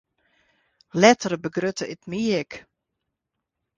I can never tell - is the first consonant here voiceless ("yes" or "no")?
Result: no